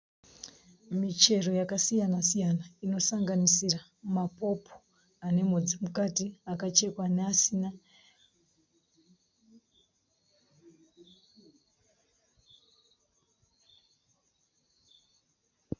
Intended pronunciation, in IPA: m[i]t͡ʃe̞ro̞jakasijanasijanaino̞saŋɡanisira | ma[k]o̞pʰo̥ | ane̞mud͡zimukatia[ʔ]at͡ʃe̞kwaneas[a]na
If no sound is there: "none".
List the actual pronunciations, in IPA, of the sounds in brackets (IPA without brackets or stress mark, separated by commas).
i, p, k, i